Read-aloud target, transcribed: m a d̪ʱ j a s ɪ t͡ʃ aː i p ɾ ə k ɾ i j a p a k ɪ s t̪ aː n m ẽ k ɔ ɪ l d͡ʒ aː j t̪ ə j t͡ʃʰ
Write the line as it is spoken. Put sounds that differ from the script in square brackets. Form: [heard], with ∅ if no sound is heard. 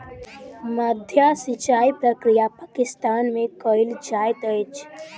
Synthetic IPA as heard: m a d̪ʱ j a s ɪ t͡ʃ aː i p ɾ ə k ɾ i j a p a k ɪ s t̪ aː n m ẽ k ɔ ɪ l d͡ʒ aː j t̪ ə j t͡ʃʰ